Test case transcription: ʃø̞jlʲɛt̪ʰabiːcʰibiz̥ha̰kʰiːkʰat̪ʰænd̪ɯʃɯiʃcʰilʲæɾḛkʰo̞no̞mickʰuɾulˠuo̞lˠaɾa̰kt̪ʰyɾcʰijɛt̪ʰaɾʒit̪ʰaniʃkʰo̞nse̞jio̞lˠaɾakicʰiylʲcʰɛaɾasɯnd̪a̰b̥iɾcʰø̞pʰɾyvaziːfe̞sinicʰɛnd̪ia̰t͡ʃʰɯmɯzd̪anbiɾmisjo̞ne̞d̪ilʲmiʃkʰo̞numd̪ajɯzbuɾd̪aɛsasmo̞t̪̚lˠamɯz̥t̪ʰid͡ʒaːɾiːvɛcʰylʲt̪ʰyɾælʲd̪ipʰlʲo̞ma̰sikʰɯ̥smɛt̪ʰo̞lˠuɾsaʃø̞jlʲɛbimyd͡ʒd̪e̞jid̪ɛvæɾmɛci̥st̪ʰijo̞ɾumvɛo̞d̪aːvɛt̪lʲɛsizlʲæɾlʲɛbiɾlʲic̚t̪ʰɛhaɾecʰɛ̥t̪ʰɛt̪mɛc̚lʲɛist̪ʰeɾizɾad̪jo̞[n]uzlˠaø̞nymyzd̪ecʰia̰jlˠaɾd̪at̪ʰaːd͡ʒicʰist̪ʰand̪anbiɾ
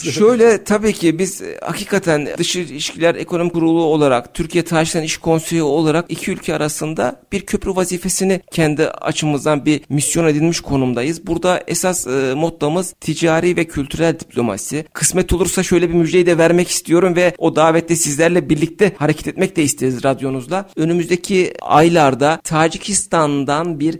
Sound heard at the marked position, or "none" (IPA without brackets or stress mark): n